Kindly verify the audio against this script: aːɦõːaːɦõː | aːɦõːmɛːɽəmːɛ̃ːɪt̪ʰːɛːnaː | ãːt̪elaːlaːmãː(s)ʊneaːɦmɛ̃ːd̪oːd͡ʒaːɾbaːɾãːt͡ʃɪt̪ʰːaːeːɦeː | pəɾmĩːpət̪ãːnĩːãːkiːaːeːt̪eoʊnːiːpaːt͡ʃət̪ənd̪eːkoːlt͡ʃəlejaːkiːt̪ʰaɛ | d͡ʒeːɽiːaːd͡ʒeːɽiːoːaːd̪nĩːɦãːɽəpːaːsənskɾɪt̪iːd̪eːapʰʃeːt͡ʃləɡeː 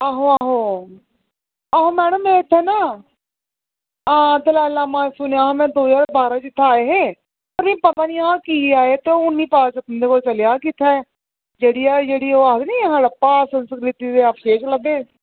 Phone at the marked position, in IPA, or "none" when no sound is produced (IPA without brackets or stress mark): s